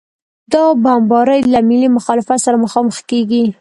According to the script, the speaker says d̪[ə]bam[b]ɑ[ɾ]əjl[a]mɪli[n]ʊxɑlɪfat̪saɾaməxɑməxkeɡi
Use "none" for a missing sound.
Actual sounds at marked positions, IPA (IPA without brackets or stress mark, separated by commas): ɑ, b, ɾ, a, m